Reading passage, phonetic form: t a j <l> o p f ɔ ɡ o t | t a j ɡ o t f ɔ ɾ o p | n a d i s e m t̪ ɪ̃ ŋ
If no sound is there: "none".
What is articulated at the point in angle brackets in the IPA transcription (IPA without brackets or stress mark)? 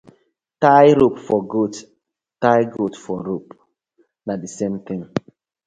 ɾ